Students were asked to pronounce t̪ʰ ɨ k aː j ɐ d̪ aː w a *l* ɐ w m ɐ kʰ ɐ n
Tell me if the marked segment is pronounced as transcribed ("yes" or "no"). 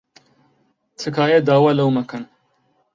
yes